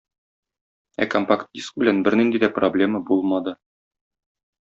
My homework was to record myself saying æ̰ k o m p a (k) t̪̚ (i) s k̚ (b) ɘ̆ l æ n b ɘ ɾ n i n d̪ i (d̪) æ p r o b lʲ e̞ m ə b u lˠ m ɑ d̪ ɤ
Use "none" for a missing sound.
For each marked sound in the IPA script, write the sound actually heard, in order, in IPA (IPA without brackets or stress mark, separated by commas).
k, i, b, d̪